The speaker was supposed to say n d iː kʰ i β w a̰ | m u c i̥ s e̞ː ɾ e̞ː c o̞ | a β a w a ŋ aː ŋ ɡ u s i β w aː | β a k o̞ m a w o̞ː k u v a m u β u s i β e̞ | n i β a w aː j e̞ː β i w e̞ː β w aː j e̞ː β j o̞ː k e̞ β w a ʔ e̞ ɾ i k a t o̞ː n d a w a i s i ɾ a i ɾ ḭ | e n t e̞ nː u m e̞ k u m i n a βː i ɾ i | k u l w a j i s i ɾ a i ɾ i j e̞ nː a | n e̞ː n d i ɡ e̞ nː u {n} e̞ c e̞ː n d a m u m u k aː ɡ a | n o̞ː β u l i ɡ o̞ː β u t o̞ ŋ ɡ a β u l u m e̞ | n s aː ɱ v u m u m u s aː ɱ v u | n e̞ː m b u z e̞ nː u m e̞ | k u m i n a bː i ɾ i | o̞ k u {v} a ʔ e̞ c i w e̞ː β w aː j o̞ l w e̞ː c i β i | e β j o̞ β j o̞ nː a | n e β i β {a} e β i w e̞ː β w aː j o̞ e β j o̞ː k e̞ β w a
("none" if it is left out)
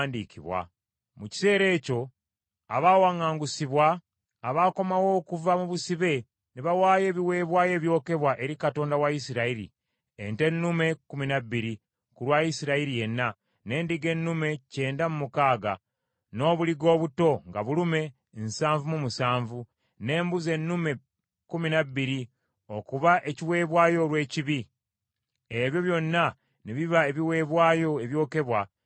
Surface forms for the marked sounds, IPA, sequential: m, β, a

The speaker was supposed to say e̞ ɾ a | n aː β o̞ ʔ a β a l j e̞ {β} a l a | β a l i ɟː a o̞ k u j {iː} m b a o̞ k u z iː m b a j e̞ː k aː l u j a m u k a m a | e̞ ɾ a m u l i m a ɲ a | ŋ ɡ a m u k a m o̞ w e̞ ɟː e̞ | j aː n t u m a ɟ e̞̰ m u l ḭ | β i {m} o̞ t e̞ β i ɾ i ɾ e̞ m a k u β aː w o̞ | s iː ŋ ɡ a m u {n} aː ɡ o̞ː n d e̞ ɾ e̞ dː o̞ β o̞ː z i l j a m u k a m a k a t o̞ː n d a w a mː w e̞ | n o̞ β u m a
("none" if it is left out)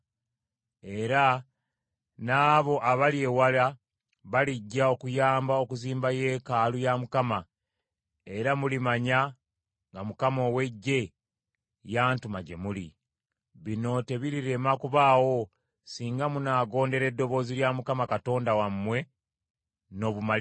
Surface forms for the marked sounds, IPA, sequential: w, aː, n, n

